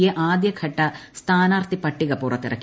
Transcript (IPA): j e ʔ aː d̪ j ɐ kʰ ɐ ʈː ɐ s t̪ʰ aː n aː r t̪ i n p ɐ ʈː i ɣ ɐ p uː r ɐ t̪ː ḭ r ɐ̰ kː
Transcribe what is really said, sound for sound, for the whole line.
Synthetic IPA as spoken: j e ʔ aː d̪ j ɐ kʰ ɐ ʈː ɐ s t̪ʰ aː n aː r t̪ i p ɐ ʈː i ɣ ɐ p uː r ɐ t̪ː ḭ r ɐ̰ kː